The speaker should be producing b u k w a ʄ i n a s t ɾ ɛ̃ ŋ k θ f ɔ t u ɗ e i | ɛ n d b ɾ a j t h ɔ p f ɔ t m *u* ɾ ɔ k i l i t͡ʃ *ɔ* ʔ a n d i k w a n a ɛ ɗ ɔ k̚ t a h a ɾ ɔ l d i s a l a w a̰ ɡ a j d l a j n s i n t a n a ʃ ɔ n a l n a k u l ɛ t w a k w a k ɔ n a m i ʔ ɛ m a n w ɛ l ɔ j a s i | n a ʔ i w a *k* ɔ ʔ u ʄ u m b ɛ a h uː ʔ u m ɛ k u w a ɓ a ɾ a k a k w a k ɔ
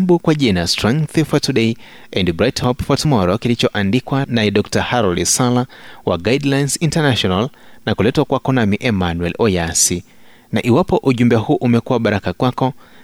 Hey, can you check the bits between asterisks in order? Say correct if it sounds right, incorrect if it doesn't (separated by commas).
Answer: incorrect, correct, incorrect